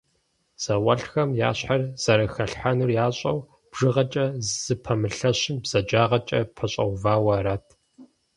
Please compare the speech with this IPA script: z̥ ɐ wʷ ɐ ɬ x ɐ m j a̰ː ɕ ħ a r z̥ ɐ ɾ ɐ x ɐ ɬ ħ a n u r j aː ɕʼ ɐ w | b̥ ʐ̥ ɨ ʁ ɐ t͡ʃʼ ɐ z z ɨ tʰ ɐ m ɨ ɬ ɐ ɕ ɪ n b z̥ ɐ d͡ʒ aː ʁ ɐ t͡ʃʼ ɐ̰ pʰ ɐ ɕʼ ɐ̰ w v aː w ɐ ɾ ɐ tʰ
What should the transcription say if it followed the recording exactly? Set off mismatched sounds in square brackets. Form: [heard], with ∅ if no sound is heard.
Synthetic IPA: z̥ ɐ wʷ ɐ ɬ x ɐ m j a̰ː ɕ ħ a r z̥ ɐ ɾ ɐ x ɐ ɬ ħ a n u r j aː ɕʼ ɐ w | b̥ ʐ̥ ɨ ʁ ɐ t͡ʃʼ ɐ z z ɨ [pʰ] ɐ m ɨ ɬ ɐ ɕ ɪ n b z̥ ɐ d͡ʒ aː ʁ ɐ t͡ʃʼ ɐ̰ pʰ ɐ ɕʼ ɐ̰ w v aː w ɐ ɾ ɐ tʰ